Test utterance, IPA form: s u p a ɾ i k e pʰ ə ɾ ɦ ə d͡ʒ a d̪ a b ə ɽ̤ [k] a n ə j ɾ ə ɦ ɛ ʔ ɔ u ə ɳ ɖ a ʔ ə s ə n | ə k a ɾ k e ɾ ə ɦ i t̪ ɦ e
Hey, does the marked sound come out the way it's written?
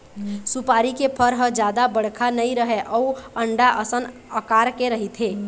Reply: no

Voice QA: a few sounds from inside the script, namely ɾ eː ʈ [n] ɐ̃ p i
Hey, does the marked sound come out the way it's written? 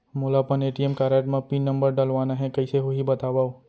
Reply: no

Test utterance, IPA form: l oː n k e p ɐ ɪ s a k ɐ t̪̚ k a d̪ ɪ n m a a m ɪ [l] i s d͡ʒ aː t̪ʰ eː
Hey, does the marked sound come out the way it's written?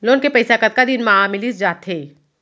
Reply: yes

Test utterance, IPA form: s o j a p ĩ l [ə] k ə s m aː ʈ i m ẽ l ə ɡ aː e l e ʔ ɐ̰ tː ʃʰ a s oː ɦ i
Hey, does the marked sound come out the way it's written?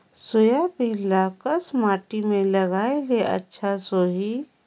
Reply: no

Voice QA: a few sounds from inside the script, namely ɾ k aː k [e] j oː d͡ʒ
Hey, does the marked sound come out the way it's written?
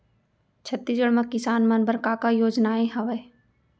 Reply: no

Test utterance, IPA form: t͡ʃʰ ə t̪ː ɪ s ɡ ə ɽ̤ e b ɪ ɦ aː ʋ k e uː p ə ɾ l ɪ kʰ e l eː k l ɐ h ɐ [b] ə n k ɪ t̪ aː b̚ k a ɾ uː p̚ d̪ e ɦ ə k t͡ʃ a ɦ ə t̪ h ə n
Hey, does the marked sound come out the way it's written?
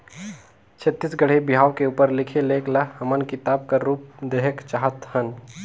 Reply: no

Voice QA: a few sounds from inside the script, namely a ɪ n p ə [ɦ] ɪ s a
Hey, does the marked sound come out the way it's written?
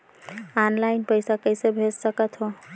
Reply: no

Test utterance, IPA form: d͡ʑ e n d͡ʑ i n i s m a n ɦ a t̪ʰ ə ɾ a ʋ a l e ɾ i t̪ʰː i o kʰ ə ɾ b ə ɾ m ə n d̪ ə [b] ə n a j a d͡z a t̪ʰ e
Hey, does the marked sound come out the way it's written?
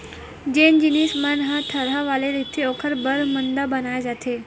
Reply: yes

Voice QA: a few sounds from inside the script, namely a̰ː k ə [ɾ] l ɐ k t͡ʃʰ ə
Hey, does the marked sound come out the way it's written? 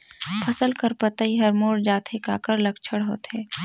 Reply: yes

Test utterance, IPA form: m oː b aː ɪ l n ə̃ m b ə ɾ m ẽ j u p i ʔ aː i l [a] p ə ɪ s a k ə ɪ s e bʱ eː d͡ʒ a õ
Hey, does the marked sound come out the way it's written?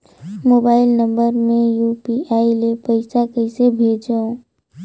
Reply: no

